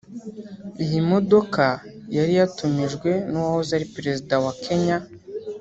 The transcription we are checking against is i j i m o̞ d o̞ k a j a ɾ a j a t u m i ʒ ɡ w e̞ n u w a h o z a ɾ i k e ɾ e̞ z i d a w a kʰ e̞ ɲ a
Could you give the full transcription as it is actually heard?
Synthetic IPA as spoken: i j i m o̞ d o̞ k a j a ɾ i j a t u m i ʒ ɡ w e̞ n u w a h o z a ɾ i p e ɾ e̞ z i d a w a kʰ e̞ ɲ a